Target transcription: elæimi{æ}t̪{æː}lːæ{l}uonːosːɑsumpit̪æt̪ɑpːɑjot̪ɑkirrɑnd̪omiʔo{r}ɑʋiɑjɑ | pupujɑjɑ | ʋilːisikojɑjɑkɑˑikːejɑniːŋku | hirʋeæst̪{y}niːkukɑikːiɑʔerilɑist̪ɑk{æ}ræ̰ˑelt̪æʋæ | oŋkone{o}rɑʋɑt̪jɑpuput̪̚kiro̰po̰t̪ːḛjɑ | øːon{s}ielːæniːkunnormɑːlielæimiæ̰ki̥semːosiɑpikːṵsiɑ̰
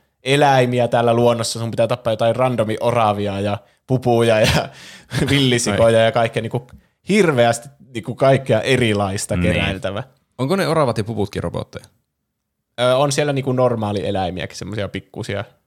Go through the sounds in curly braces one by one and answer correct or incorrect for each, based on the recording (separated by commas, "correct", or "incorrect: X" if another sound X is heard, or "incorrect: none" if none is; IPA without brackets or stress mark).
correct, correct, correct, correct, incorrect: i, incorrect: e, correct, correct